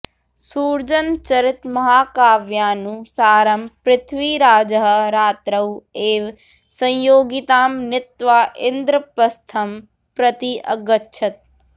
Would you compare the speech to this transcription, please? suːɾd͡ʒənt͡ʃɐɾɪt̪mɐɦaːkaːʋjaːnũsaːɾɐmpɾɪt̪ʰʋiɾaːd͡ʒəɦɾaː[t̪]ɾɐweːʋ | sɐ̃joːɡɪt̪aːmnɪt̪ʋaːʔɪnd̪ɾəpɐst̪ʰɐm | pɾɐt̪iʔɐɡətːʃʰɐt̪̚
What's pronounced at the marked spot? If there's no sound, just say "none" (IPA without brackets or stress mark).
t̪